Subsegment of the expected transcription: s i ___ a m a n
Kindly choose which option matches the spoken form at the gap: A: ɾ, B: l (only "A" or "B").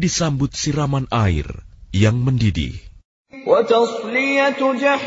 A